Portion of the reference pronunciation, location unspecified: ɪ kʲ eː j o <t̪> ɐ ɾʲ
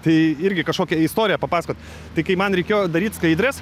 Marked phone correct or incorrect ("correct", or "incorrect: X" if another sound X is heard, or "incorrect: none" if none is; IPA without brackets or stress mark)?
incorrect: d̪